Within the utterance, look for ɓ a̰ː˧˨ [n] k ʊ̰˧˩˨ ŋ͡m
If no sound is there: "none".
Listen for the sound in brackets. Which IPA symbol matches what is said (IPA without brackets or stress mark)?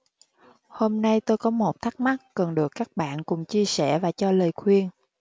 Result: n